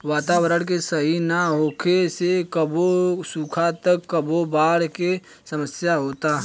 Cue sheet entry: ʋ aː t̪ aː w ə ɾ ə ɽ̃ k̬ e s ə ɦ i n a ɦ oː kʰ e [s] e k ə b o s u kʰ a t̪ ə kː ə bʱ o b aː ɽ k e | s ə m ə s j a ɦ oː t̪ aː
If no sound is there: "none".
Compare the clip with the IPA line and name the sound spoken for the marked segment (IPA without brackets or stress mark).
s